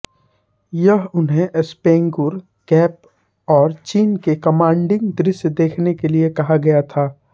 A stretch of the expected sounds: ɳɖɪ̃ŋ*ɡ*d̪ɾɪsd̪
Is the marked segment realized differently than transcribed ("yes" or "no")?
no